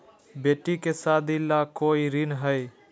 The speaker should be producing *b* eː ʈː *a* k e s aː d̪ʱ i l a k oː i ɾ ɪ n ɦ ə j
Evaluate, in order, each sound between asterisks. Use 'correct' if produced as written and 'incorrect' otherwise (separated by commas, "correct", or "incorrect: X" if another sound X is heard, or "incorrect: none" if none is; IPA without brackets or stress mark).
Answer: correct, incorrect: i